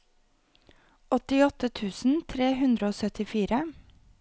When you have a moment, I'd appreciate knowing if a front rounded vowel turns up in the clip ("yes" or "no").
yes